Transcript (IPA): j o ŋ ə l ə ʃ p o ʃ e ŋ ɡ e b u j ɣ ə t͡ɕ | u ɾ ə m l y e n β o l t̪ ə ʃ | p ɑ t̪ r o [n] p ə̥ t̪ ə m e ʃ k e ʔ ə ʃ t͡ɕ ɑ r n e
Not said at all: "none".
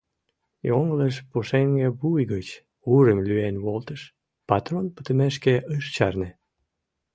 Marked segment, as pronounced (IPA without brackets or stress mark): n